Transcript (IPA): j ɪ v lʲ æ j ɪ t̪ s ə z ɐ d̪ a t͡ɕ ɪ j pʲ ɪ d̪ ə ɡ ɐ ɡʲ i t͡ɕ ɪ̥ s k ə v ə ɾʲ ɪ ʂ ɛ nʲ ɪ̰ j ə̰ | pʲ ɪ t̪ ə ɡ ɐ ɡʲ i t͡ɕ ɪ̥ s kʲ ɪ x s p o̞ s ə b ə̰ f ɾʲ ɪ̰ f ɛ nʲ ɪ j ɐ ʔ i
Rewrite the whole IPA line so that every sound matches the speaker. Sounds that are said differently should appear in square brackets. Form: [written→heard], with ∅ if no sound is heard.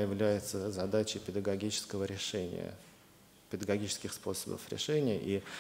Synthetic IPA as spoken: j ɪ v lʲ æ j ɪ t̪ s ə z ɐ d̪ a t͡ɕ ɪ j pʲ ɪ d̪ ə ɡ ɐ ɡʲ i t͡ɕ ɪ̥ s k ə v ə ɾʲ ɪ ʂ ɛ nʲ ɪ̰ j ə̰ | pʲ ɪ [t̪→d̪] ə ɡ ɐ ɡʲ i t͡ɕ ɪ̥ s kʲ ɪ x s p o̞ s ə b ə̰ f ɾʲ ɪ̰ [f→ʂ] ɛ nʲ ɪ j [ɐ→ə] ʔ i